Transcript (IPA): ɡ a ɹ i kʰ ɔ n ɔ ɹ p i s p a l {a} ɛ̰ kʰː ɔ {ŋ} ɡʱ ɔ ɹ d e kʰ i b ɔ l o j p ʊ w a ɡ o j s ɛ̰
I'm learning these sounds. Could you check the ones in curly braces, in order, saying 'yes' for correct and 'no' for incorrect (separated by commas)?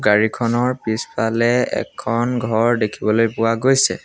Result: no, no